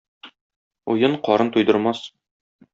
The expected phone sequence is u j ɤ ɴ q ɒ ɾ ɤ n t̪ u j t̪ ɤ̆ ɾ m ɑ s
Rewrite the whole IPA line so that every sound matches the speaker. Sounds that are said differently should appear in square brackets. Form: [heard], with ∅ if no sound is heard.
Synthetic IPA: u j ɤ ɴ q ɒ ɾ ɤ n t̪ u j [d̪] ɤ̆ ɾ m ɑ s